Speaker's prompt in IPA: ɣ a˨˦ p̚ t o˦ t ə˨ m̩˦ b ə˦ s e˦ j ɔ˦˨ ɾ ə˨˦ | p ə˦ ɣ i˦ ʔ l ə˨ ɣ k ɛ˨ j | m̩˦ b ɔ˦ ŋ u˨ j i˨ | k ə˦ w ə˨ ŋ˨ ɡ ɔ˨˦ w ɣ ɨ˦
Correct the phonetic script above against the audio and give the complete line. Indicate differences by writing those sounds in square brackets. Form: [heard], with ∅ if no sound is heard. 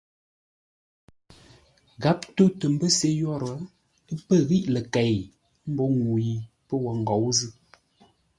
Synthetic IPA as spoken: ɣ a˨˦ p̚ t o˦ t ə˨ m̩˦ b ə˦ s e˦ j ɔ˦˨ ɾ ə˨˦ | p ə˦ ɣ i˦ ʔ l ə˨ [∅] k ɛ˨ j | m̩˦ b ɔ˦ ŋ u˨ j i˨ | [p] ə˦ w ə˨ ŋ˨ ɡ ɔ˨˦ w [z] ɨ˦